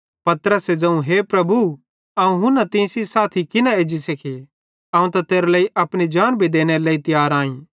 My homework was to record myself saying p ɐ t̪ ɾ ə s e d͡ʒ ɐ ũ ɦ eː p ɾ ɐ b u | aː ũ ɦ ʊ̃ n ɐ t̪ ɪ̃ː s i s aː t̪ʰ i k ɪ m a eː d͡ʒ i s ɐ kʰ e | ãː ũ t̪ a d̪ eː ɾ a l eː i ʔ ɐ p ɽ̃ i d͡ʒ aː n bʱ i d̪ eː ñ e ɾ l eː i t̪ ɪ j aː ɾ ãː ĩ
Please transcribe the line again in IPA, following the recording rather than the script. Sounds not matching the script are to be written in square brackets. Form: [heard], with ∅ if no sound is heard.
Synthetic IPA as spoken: p ɐ t̪ ɾ ə s e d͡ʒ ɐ ũ ɦ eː p ɾ ɐ b u | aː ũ ɦ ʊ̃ n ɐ t̪ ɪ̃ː s i s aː t̪ʰ i k ɪ [n] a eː d͡ʒ i s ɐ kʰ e | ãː ũ t̪ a [t̪] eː ɾ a l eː i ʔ ɐ p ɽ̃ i d͡ʒ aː n bʱ i d̪ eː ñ e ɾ l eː i t̪ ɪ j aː ɾ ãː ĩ